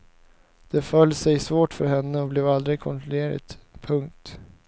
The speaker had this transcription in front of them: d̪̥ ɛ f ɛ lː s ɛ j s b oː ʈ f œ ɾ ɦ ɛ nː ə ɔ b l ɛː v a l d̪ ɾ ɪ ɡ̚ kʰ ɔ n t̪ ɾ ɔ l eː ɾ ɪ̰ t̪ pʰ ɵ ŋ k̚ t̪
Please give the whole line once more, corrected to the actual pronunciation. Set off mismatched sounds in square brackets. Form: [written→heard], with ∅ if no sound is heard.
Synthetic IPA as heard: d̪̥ ɛ f [ɛ→œ] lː s ɛ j s [b→v] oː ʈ f œ ɾ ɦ ɛ nː ə ɔ b l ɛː v a l d̪ ɾ ɪ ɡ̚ kʰ ɔ n t̪ ɾ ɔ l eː ɾ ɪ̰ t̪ pʰ ɵ ŋ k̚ t̪

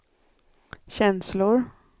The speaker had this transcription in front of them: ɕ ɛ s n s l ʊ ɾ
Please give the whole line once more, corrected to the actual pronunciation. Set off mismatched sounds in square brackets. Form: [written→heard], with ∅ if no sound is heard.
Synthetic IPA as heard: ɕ ɛ [s→∅] n s l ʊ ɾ

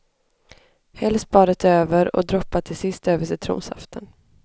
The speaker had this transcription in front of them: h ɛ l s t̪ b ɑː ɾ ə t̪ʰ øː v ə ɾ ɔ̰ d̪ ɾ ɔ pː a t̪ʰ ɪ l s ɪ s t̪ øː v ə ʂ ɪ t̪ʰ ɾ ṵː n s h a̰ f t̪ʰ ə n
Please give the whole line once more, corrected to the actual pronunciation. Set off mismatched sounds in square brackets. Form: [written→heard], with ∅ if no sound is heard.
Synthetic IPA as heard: h ɛ l s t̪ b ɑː ɾ ə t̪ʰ øː v ə ɾ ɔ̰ d̪ ɾ ɔ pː a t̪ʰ ɪ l s ɪ s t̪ øː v ə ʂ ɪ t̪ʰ ɾ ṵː n s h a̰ f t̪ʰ ə n

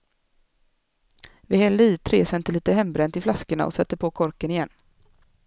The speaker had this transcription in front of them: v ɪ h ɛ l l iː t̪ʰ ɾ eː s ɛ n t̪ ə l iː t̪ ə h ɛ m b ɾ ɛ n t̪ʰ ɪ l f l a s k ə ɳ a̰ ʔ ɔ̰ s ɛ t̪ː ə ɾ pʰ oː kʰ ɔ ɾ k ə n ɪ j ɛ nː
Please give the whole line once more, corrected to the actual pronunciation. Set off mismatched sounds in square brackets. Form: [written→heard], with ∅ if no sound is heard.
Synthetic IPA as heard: v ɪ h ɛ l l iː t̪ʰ ɾ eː s ɛ n t̪ ə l iː t̪ ə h ɛ m b ɾ ɛ n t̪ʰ ɪ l f l a s k ə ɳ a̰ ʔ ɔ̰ s ɛ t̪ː ə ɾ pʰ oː kʰ ɔ ɾ k ə n ɪ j ɛ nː

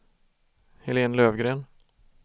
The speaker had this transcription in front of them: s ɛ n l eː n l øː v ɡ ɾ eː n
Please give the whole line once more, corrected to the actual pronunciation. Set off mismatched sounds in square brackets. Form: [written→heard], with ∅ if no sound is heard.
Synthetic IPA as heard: [s→h] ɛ [n→∅] l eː n l øː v ɡ ɾ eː n

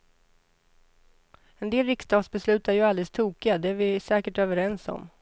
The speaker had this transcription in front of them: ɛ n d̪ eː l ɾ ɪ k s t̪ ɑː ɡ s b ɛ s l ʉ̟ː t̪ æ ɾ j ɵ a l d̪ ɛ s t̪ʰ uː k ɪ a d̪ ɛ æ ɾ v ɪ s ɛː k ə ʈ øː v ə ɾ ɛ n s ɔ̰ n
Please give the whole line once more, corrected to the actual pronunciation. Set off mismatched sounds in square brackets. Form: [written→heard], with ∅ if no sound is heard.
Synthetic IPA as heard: ɛ n d̪ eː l ɾ ɪ k s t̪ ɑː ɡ s b ɛ s l ʉ̟ː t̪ æ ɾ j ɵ a l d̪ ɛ s t̪ʰ uː k ɪ a d̪ ɛ æ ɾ v ɪ s ɛː k ə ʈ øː v ə ɾ ɛ n s ɔ̰ [n→m]

